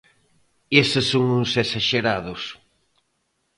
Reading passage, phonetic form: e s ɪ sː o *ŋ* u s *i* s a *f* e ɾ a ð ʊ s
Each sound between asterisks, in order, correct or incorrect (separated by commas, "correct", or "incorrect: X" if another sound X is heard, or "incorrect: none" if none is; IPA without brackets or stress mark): correct, incorrect: e, incorrect: ʃ